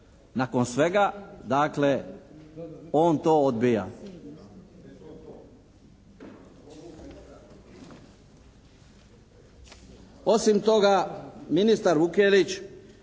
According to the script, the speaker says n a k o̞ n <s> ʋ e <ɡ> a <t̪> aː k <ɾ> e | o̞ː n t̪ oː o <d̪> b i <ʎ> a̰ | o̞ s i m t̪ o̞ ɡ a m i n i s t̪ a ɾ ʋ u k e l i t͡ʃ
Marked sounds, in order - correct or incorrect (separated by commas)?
correct, correct, incorrect, incorrect, correct, incorrect